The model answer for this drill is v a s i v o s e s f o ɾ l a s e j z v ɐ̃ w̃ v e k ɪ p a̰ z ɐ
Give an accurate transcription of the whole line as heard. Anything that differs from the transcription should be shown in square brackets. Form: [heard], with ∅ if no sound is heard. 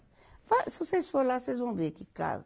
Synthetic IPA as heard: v a s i v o s e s f o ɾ l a s e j z v ɐ̃ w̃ v e k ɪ [k] a̰ z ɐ

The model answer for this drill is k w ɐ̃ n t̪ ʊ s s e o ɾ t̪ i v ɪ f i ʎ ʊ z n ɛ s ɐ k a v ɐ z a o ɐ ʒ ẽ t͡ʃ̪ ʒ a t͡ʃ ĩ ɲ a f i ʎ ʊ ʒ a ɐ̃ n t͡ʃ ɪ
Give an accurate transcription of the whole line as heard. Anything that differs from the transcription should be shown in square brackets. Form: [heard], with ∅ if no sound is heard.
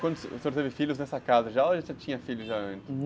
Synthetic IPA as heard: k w ɐ̃ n [d̪] ʊ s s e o ɾ t̪ [e] v ɪ f i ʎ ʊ z n ɛ s ɐ k a [z] ɐ [ʒ] a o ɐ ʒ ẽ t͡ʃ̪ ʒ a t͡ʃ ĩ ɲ [ɐ] f i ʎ ʊ ʒ a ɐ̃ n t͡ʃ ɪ

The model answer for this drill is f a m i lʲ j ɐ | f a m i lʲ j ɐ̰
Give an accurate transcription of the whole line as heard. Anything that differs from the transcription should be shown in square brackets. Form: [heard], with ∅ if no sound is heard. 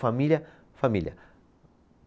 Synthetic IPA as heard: f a m i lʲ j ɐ | f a m i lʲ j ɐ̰

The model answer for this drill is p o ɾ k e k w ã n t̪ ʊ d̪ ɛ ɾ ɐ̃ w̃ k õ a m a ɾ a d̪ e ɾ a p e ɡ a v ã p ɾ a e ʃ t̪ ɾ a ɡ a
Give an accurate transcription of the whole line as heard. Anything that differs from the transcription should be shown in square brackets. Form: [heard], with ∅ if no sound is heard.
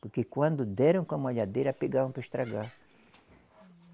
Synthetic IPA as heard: p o ɾ k e k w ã n [d̪] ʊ d̪ ɛ ɾ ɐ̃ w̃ k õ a m a [ʎ] a d̪ e ɾ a p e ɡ a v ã p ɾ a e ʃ t̪ ɾ a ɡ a

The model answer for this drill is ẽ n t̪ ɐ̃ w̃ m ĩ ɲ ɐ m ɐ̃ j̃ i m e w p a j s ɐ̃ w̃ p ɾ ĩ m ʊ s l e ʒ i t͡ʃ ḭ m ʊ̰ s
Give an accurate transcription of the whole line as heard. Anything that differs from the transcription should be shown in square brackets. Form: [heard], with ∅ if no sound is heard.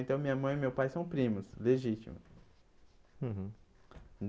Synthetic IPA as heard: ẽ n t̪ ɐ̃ w̃ m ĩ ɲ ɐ m ɐ̃ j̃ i m e w p a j s ɐ̃ w̃ p ɾ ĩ m ʊ s l e ʒ i t͡ʃ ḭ m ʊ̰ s

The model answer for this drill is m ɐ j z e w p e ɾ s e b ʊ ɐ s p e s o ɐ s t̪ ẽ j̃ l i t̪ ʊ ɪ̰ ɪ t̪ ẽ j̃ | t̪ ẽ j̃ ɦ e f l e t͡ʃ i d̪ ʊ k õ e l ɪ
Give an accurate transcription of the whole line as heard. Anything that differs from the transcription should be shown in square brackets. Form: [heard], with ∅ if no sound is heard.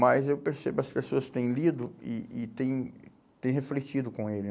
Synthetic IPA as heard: m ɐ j z e w p e ɾ s e b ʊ ɐ s p e s o ɐ s t̪ ẽ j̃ l i [d̪] ʊ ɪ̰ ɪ t̪ ẽ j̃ | t̪ ẽ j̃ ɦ e f l e t͡ʃ i d̪ ʊ k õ e l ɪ

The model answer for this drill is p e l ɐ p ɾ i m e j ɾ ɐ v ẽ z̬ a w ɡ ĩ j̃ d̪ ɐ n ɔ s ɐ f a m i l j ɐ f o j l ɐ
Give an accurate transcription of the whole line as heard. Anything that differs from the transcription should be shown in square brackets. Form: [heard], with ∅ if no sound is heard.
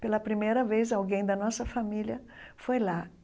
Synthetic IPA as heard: p e l ɐ p ɾ i m e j ɾ ɐ v [e] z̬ a w ɡ [ẽ] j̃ d̪ ɐ n ɔ s ɐ f a m i l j ɐ f o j l [a]

